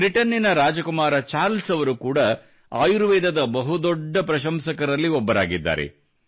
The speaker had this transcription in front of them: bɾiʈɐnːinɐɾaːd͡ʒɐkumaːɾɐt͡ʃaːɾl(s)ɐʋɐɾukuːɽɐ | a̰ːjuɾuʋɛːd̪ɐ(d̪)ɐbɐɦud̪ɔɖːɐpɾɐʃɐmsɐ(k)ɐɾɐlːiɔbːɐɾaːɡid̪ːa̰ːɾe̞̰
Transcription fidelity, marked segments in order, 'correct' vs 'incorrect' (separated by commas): correct, correct, correct